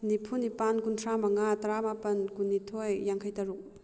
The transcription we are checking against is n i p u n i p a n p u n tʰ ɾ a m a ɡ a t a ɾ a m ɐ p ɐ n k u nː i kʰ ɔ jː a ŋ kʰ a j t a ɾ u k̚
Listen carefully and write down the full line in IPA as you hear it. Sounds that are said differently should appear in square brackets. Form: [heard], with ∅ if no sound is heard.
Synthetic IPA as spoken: n i [pʰ] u n i p a n [k] u n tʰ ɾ a m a [ŋ] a t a ɾ a m [a] p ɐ n k u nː i [tʰ] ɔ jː a ŋ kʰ a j t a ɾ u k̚